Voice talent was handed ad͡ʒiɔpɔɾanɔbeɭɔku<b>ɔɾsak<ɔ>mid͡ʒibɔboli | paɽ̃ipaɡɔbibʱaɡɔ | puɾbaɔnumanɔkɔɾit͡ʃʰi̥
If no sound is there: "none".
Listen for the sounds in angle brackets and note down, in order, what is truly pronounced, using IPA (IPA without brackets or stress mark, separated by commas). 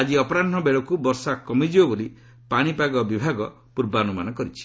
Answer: b, ɔ